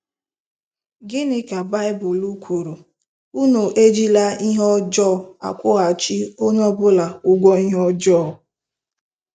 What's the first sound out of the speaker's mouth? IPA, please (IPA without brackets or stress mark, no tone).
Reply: ɡ